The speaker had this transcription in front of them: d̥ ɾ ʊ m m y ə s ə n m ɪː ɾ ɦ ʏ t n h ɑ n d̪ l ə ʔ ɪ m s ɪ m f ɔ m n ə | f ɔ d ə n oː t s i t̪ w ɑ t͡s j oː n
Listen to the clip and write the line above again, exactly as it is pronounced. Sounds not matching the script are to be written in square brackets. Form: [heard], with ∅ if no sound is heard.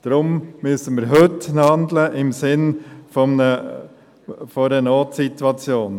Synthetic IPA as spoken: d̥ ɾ ʊ m m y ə s ə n m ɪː ɾ ɦ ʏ t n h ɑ n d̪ l ə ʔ ɪ m s ɪ [n] f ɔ m n ə | f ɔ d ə n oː t s i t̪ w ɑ t͡s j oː n